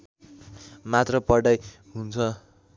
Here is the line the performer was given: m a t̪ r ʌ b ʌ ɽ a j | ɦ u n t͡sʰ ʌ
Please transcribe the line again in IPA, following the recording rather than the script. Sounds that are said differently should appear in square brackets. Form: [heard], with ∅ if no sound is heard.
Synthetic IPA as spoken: m a t̪ r ʌ [p] ʌ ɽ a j | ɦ u n t͡sʰ ʌ